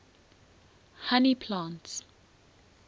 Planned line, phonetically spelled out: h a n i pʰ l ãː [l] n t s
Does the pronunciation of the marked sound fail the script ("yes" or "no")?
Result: yes